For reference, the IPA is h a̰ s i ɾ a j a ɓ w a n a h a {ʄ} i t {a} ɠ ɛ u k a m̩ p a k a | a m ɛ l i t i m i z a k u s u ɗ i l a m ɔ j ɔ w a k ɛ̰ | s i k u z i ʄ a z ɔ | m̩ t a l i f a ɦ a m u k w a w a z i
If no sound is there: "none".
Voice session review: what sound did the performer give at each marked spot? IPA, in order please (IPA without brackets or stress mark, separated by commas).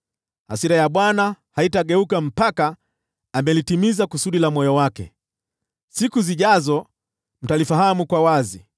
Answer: none, a